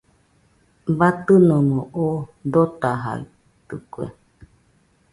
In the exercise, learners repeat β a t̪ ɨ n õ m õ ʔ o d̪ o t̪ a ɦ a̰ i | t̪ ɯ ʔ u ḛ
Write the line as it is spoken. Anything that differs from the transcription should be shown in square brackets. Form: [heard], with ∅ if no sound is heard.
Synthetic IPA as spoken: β a t̪ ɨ n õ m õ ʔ o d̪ o t̪ a ɦ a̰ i | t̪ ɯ [k] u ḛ